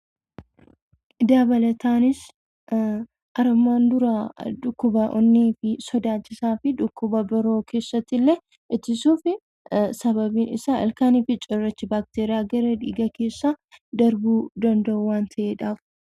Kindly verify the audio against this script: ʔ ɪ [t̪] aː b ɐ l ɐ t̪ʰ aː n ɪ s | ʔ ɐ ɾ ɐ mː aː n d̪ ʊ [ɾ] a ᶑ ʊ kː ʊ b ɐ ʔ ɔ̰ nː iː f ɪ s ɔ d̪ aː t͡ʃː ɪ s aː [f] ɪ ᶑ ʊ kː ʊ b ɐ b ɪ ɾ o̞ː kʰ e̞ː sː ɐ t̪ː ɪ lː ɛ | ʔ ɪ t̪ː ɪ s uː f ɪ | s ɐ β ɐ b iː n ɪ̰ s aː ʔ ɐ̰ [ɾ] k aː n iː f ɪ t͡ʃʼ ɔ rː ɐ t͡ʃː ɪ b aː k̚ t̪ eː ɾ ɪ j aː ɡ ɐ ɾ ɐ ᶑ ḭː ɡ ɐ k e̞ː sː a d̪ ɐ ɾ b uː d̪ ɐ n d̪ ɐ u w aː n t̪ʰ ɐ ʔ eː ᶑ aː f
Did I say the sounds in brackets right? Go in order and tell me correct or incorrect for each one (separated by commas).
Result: incorrect, correct, correct, incorrect